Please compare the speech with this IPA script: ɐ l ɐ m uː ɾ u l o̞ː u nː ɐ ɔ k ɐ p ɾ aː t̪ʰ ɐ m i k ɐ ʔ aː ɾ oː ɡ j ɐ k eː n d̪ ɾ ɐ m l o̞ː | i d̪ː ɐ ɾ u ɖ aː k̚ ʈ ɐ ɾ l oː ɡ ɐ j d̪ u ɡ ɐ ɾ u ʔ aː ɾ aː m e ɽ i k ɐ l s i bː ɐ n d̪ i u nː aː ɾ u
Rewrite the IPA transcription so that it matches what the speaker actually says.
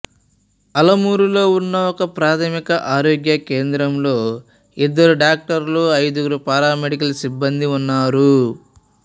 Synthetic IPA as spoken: ɐ l ɐ m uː ɾ u l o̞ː u nː ɐ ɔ k ɐ p ɾ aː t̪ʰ ɐ m i k ɐ ʔ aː ɾ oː ɡ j ɐ k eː n d̪ ɾ ɐ m l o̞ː | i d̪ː ɐ ɾ u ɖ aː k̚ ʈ ɐ ɾ l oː ɐ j d̪ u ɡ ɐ ɾ u p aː ɾ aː m e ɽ i k ɐ l s i bː ɐ n d̪ i u nː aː ɾ u